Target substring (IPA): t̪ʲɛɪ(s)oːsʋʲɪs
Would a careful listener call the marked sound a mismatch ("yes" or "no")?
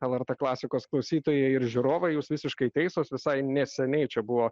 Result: no